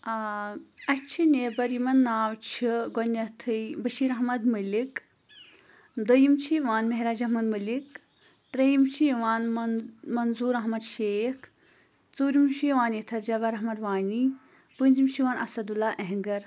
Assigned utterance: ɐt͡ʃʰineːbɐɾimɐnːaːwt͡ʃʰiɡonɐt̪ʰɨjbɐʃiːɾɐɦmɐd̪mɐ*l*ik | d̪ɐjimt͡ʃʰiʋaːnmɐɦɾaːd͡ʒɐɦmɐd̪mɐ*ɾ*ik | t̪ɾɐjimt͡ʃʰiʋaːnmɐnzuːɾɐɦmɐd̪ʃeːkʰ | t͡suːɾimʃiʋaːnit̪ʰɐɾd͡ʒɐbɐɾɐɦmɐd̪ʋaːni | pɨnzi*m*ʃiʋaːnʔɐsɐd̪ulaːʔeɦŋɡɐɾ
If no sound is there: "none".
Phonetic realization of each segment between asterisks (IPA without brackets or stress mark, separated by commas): l, l, m